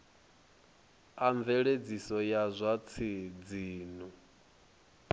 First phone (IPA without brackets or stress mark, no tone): a